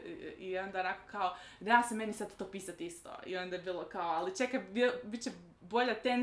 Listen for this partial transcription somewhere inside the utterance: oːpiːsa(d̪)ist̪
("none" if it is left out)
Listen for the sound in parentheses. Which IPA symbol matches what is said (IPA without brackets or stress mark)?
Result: t̪